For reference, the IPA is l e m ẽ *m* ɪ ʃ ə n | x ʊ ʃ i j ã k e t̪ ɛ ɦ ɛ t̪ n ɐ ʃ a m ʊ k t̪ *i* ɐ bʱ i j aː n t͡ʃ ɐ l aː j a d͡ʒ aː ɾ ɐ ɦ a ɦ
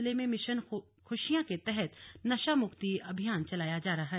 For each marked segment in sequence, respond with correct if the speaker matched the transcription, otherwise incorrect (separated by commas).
correct, correct